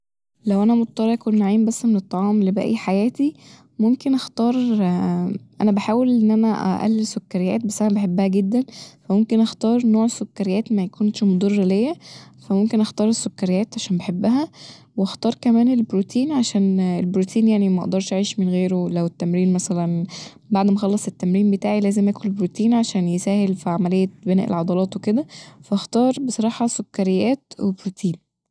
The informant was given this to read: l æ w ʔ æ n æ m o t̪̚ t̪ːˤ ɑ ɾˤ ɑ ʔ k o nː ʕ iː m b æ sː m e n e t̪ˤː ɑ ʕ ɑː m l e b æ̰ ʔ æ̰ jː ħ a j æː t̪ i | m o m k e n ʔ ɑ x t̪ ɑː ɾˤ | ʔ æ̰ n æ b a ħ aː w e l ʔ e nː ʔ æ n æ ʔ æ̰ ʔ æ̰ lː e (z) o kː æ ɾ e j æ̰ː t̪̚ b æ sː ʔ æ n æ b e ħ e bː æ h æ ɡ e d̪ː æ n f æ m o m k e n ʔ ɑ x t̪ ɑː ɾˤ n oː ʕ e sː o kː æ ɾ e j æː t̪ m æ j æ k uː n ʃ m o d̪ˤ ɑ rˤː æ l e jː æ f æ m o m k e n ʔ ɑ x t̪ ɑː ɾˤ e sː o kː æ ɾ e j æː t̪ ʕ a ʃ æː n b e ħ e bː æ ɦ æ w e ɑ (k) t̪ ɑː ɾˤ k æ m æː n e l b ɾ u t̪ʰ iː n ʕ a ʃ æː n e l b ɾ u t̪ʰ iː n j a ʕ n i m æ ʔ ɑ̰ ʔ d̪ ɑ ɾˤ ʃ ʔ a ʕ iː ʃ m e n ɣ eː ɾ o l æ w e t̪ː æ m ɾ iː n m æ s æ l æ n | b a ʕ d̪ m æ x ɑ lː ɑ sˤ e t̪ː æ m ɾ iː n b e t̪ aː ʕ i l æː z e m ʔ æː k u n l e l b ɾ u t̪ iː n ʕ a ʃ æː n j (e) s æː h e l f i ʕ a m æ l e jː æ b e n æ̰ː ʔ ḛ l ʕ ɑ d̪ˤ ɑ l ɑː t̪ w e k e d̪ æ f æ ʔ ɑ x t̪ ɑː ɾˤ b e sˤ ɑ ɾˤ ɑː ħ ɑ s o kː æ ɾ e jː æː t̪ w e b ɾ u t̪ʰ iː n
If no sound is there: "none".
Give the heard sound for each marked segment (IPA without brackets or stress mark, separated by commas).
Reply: s, x, e